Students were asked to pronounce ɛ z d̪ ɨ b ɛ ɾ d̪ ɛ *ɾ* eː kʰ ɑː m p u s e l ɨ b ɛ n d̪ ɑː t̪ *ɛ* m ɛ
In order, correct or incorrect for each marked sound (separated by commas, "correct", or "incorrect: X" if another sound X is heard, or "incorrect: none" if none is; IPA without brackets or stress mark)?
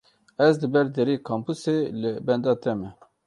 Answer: correct, correct